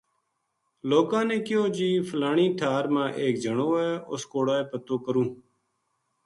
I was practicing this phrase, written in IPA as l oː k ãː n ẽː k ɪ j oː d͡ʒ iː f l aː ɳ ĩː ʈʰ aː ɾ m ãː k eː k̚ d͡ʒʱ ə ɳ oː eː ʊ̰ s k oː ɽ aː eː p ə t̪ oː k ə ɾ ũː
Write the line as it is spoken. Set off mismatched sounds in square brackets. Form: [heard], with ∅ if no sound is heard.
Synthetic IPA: l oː k ãː n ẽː k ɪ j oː d͡ʒ iː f l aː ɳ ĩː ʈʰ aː ɾ m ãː [ʔ] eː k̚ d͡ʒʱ ə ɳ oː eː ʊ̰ s k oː ɽ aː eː p ə t̪ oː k ə ɾ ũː

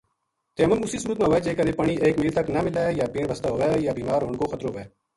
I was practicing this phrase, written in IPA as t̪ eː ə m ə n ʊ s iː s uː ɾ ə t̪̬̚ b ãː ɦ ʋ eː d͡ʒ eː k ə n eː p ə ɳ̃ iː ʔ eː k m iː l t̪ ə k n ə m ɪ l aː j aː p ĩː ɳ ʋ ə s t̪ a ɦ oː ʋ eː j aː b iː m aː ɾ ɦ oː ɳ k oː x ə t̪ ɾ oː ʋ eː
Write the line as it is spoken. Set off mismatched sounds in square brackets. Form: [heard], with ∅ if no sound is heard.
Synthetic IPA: t̪ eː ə m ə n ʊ s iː s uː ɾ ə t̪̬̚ [m] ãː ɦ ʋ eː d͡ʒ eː k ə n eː p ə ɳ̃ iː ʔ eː k m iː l t̪ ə k n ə m ɪ l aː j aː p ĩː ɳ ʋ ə s t̪ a ɦ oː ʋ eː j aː b iː m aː ɾ ɦ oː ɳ k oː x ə t̪ ɾ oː ʋ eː

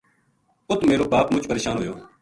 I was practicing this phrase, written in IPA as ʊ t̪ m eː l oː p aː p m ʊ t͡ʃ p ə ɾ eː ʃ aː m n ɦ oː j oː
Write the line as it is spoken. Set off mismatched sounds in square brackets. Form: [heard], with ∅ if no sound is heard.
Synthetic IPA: ʊ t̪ m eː [ɾ] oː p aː p m ʊ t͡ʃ p ə ɾ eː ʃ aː [∅] n ɦ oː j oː

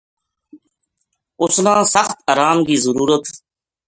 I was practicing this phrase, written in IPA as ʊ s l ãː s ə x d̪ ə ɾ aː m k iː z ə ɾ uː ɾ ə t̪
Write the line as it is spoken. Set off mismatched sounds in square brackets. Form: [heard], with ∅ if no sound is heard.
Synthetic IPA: ʊ s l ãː s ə x [t̪] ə ɾ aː m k iː z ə ɾ uː ɾ ə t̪

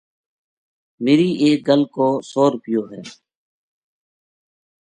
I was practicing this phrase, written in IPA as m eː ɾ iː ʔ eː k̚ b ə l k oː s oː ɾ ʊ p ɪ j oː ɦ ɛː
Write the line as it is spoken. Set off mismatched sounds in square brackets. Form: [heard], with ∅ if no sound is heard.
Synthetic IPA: m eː ɾ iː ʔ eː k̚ [ɡ] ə l k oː s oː ɾ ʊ p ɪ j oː ɦ ɛː

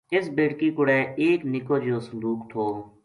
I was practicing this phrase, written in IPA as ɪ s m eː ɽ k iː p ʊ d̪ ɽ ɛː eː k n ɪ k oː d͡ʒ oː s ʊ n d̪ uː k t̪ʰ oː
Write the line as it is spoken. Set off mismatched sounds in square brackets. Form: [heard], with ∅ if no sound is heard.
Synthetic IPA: ɪ s [b] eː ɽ k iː [k] ʊ [∅] ɽ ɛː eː k n ɪ k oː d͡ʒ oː s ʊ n d̪ uː k t̪ʰ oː

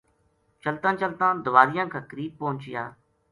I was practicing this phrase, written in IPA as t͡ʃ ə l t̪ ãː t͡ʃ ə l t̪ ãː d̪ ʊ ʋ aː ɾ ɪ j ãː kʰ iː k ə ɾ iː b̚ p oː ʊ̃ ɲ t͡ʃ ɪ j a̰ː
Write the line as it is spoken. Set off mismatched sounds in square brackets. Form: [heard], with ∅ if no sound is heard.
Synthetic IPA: t͡ʃ ə l t̪ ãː t͡ʃ ə l t̪ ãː d̪ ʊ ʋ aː ɾ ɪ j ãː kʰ [aː] k ə ɾ iː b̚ p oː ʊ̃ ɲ t͡ʃ ɪ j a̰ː

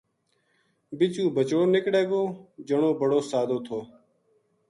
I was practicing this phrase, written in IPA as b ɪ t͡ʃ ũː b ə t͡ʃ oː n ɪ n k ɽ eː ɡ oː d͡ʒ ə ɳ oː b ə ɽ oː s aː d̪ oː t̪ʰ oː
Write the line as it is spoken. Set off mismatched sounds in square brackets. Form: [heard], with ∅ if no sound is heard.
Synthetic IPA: b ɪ t͡ʃ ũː b ə t͡ʃ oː n ɪ [∅] k ɽ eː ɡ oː d͡ʒ ə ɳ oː b ə ɽ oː s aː d̪ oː t̪ʰ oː

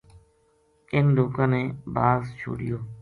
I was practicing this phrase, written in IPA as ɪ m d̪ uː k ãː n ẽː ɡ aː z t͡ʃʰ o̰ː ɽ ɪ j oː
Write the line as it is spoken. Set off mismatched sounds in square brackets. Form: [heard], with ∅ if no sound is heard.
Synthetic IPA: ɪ [n] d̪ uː k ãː n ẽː [b] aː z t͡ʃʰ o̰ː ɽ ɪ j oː

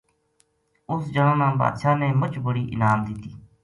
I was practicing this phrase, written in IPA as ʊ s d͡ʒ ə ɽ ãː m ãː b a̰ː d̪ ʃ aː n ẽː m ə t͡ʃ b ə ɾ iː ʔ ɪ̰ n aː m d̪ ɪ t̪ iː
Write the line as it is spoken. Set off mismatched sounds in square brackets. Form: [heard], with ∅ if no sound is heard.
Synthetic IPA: ʊ s d͡ʒ ə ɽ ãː [n] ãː b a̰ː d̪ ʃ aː n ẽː m ə t͡ʃ b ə [ɽ] iː ʔ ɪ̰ n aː m d̪ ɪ t̪ iː

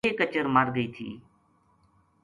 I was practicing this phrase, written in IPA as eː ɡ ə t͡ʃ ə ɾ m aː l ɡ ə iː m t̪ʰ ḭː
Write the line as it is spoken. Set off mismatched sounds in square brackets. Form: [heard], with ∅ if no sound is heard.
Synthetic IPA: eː [k] ə t͡ʃ ə ɾ m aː [ɾ] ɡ ə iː [∅] t̪ʰ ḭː

